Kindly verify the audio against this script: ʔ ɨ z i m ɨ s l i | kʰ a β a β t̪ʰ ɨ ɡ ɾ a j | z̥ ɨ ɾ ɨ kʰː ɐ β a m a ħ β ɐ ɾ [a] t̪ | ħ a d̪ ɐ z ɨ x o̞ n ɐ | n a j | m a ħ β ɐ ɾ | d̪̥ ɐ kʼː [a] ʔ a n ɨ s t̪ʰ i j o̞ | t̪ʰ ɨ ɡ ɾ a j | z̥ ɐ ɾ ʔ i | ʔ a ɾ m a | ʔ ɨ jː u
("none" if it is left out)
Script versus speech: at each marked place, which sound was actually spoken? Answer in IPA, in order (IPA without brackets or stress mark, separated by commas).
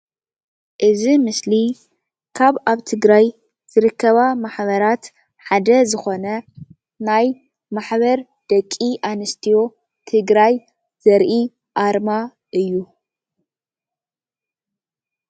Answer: a, i